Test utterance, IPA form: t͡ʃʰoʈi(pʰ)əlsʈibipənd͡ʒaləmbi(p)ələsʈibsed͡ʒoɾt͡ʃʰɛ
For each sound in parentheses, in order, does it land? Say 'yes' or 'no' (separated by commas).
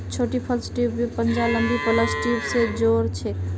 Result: yes, yes